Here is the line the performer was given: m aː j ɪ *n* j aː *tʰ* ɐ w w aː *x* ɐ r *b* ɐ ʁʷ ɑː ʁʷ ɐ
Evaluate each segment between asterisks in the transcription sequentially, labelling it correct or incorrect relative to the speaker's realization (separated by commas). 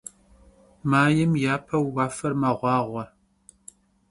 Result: incorrect, incorrect, incorrect, incorrect